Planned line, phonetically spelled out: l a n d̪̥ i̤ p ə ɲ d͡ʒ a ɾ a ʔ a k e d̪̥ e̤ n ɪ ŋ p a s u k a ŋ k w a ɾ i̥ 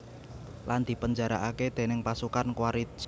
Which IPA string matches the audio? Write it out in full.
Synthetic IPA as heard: l a n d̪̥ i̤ p ə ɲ d͡ʒ a ɾ a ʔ a k e d̪̥ e̤ n ɪ ŋ p a s u k a n k w a ɾ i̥